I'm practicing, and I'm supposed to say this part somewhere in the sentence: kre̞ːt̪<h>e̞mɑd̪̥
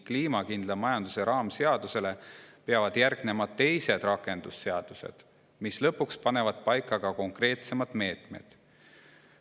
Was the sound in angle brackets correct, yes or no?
no